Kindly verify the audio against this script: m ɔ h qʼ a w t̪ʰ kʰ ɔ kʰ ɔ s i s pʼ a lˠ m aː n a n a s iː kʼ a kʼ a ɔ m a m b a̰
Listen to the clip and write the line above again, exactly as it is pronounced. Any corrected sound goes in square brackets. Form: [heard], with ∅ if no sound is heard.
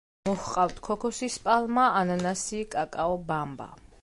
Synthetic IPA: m ɔ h qʼ a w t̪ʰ kʰ ɔ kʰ ɔ s i s pʼ a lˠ m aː n a n a s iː kʼ a kʼ a ɔ [b] a m b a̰